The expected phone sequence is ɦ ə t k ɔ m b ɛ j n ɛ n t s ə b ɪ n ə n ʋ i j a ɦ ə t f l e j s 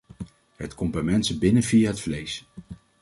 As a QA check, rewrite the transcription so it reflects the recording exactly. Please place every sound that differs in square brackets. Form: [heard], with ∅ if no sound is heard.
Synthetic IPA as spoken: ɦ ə t k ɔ m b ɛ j [m] ɛ n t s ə b ɪ n ə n [v] i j a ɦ ə t f l e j s